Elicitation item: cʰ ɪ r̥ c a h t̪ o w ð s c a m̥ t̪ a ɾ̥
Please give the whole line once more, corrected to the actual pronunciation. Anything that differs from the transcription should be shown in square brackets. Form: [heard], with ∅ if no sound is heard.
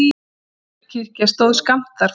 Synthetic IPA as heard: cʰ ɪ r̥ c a [s] t̪ o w ð s [k] a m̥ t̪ a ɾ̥